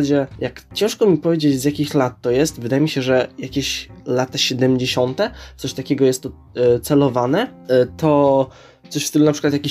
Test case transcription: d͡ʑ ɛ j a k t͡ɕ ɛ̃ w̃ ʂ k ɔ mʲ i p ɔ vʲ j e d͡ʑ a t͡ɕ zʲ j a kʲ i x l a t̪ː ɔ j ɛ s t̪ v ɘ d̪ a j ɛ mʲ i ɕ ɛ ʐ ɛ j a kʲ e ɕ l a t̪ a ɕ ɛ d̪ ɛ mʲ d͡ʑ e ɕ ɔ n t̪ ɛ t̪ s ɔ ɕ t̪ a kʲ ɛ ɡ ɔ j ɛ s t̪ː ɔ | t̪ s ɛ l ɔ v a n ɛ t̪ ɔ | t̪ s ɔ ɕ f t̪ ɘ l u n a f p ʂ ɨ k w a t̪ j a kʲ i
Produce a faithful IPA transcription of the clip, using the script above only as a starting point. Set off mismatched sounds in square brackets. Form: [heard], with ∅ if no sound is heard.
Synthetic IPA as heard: d͡ʑ ɛ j a k t͡ɕ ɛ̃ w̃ ʂ k ɔ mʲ i p ɔ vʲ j e d͡ʑ [e] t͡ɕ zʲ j a kʲ i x l a t̪ː ɔ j ɛ s t̪ v ɘ d̪ a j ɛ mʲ i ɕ ɛ ʐ ɛ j a kʲ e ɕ l a t̪ a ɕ ɛ d̪ ɛ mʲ d͡ʑ e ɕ ɔ n t̪ ɛ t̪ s ɔ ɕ t̪ a kʲ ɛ ɡ ɔ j ɛ s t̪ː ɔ | t̪ s ɛ l ɔ v a n ɛ t̪ ɔ | t̪ s ɔ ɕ f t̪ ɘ l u n a [∅] p ʂ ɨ k w a t̪ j a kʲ i